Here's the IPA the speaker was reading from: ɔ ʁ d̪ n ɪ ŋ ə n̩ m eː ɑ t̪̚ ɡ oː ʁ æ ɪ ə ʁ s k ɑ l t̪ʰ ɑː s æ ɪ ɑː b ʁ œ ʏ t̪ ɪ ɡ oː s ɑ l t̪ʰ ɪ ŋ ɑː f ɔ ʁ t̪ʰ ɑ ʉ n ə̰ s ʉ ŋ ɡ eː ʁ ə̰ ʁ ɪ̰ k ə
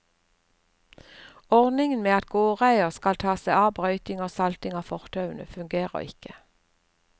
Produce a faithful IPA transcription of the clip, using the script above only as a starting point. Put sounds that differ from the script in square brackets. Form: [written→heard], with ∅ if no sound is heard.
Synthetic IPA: ɔ ʁ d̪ n ɪ ŋ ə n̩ m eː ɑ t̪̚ ɡ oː ʁ æ ɪ ə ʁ s k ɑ l t̪ʰ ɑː s æ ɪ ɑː b ʁ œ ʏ t̪ ɪ [ɡ→ŋ] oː s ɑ l [t̪ʰ→t̪] ɪ ŋ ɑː f ɔ ʁ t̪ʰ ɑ ʉ n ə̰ [s→f] ʉ ŋ ɡ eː ʁ ə̰ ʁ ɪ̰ k ə